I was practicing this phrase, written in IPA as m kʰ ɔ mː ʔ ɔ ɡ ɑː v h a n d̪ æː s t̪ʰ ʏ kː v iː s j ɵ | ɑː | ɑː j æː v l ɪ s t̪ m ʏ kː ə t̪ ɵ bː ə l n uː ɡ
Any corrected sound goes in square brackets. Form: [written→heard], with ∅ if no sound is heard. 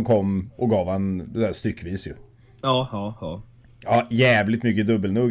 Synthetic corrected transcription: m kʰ ɔ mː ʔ ɔ ɡ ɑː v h a n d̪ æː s [t̪ʰ→t̪] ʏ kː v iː s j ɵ | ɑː | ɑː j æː v l ɪ [s→∅] t̪ m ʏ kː ə [t̪→d̪] ɵ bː ə l n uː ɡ